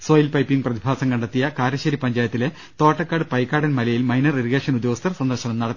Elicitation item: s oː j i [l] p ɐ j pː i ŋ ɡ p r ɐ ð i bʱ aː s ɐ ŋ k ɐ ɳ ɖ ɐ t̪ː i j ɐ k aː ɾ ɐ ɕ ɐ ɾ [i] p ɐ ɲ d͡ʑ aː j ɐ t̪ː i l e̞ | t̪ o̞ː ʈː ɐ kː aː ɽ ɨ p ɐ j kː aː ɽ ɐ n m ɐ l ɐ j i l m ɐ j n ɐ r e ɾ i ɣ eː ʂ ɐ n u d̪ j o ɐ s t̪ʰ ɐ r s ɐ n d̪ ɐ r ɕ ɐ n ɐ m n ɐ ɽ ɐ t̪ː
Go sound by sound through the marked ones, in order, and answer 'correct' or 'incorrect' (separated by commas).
correct, correct